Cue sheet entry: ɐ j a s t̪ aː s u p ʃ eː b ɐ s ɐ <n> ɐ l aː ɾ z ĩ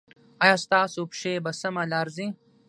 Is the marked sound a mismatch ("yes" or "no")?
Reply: yes